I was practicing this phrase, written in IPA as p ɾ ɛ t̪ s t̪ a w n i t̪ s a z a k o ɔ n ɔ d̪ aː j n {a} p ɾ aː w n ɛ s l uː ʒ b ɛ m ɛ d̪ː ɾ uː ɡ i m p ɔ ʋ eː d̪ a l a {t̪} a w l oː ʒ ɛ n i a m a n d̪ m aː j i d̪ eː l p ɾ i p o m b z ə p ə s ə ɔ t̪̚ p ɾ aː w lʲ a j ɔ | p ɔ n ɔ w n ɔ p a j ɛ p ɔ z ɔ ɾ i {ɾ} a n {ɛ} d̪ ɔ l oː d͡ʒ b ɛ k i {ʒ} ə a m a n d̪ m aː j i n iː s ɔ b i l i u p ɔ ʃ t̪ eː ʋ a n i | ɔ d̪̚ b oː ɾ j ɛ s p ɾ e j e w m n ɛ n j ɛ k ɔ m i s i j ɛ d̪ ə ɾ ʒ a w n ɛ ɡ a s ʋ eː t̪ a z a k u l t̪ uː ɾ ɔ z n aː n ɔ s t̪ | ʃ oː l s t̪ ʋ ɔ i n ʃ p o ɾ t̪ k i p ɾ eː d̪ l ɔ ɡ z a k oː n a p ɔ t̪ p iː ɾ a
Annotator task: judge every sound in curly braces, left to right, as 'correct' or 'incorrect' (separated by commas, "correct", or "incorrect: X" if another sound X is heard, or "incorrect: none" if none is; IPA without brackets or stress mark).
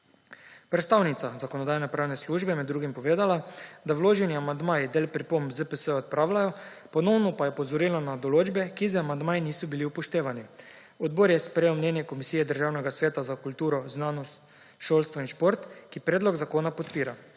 incorrect: ɛ, incorrect: d̪, incorrect: l, incorrect: a, incorrect: z